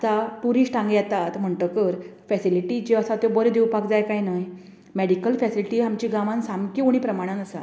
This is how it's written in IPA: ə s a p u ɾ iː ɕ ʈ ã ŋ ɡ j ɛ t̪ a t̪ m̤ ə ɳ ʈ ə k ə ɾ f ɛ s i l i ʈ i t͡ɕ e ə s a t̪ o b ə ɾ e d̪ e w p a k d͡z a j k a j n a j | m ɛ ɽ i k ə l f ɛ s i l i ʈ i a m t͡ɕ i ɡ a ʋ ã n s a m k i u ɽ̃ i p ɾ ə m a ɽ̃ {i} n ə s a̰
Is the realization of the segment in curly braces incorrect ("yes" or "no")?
yes